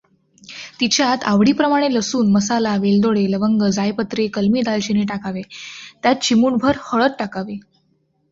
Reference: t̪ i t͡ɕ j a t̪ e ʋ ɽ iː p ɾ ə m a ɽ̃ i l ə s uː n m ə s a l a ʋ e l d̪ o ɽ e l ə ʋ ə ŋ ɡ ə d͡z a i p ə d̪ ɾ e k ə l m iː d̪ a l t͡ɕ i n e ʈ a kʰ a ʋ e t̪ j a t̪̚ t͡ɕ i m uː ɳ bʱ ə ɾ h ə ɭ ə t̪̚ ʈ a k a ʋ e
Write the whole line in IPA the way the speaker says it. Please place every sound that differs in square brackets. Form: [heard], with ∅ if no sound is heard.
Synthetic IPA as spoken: t̪ i t͡ɕ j a t̪ [a] ʋ ɽ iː p ɾ ə m a ɽ̃ [e] l ə s uː n m ə s a l a ʋ e l d̪ o ɽ e l ə ʋ ə ŋ ɡ ə d͡z a [j] p ə [t̪] ɾ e k ə l m iː d̪ a l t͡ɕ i n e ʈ a [k] a ʋ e t̪ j a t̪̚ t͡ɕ i m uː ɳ bʱ ə ɾ h ə ɭ ə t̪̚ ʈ a k a ʋ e

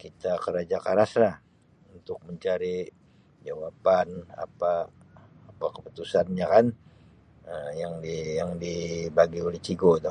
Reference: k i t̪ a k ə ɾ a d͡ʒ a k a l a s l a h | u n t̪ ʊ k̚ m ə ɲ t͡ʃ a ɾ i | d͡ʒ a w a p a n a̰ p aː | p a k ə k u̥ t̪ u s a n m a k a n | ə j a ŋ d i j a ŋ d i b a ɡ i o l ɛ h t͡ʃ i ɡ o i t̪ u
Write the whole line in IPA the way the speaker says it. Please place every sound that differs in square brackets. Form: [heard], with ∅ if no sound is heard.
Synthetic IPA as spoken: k i t̪ a k ə ɾ a d͡ʒ a k a [ɾ] a s l a h | u n t̪ ʊ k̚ m ə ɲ t͡ʃ a ɾ i | d͡ʒ a w a p a n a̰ p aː | p a k ə [p] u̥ t̪ u s a n [ɲ] a k a n | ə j a ŋ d i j a ŋ d i b a ɡ i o l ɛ h t͡ʃ i ɡ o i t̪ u

